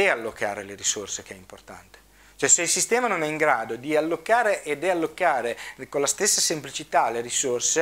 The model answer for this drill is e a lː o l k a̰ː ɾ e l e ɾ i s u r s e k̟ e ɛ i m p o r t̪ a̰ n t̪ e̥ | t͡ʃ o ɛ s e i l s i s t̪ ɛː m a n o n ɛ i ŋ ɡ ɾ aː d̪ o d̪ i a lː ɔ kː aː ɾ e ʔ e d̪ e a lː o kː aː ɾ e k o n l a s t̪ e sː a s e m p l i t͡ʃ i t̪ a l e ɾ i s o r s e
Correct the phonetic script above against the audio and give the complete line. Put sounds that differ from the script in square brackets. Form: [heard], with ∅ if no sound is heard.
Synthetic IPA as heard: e a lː o [∅] k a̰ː ɾ e l e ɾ i s [o] r s e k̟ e ɛ i m p o r t̪ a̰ n t̪ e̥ | t͡ʃ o ɛ s e i l s i s t̪ ɛː m a n o n ɛ i ŋ ɡ ɾ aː d̪ o d̪ i a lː [o] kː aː ɾ e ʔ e d̪ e a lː o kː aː ɾ e k o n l a s t̪ e sː a s e m p l i t͡ʃ i t̪ a l e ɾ i s o r s e